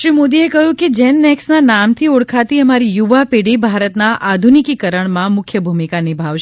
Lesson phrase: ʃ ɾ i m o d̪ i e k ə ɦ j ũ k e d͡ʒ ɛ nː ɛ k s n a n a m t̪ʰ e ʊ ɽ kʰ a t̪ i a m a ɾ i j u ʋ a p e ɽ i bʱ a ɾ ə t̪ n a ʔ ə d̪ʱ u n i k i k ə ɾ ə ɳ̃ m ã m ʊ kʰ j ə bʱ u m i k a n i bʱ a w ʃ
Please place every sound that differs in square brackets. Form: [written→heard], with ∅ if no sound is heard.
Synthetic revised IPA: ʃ ɾ i m o d̪ i e k ə ɦ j ũ k e d͡ʒ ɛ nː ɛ k s n a n a m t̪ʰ [e→i] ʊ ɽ kʰ a t̪ i [a→ə] m a ɾ i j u ʋ a p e ɽ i bʱ a ɾ ə t̪ n a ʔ [ə→a] d̪ʱ u n i k i k ə ɾ ə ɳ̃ m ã m ʊ kʰ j ə bʱ u m i k a n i bʱ a [w→ʋ] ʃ